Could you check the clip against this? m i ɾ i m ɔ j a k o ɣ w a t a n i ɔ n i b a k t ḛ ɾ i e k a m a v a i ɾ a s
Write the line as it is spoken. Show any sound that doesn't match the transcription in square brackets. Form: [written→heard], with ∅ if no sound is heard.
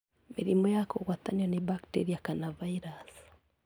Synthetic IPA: m i ɾ i m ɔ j a k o ɣ w a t a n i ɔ n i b a k t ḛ ɾ i [e→a] k a [m→n] a v a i ɾ a s